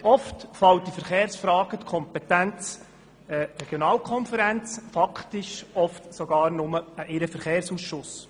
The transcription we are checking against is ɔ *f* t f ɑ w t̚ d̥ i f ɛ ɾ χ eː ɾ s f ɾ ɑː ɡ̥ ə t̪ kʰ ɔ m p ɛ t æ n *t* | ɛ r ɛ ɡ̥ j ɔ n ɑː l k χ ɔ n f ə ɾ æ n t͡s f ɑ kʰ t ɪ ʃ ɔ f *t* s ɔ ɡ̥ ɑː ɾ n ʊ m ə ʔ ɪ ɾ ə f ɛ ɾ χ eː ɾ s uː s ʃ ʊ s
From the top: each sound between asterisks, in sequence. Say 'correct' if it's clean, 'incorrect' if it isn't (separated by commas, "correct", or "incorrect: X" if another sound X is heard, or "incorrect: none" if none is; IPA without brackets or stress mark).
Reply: correct, incorrect: t͡s, correct